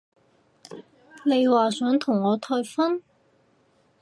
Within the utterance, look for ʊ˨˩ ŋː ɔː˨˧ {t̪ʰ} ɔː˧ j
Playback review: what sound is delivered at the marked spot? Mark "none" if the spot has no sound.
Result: t̪ʰ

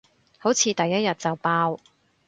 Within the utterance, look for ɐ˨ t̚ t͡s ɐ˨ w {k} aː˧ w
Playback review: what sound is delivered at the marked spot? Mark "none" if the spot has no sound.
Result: p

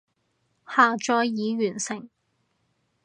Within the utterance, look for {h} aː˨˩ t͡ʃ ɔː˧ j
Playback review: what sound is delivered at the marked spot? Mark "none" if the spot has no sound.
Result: h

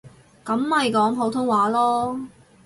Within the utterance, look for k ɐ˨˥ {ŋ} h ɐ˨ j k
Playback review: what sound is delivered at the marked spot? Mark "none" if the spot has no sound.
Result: m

